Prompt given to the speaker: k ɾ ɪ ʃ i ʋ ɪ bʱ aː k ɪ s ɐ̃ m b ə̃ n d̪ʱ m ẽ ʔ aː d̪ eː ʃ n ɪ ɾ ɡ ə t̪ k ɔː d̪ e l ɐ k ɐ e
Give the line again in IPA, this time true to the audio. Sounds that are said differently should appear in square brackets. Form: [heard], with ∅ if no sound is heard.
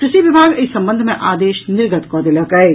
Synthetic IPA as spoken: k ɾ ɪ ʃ i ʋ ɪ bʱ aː [ɡ] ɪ s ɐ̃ m b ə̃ n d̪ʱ m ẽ ʔ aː d̪ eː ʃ n ɪ ɾ ɡ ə t̪ k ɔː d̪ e l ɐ k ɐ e